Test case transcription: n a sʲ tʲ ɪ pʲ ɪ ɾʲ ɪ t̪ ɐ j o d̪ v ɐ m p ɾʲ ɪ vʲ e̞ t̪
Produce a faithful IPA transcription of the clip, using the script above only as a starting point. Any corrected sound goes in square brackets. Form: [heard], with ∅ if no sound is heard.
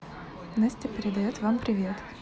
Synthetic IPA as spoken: n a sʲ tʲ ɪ pʲ ɪ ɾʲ ɪ [d̪] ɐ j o [t̪] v [a] m p ɾʲ ɪ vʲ e̞ t̪